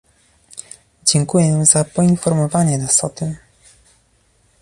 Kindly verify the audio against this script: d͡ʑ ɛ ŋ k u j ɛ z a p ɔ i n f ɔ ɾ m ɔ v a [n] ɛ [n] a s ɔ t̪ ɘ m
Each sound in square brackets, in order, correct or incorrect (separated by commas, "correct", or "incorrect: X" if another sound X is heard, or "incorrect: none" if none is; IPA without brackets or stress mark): incorrect: ɲ, correct